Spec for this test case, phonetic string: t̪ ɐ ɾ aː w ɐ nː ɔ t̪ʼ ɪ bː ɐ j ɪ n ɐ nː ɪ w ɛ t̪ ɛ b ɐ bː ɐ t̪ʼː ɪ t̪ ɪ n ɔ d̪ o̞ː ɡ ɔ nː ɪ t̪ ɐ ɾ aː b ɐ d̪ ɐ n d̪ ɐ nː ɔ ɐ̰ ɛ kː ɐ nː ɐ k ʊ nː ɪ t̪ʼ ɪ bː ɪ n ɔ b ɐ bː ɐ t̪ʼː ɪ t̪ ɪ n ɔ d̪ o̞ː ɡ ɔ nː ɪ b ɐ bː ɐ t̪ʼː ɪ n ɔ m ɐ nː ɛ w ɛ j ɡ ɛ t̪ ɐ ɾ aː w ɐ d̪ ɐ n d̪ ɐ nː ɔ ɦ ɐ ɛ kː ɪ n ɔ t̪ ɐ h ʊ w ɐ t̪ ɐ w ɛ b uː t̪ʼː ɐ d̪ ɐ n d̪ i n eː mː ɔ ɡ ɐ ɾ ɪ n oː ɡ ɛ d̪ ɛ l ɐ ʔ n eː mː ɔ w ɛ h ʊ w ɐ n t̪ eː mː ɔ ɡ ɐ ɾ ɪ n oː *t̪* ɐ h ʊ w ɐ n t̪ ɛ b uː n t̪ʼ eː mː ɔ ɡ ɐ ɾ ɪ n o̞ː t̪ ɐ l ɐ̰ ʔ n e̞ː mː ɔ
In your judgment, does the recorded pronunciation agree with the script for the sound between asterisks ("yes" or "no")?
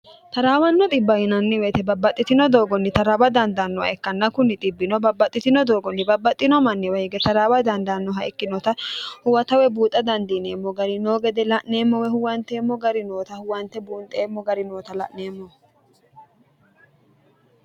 yes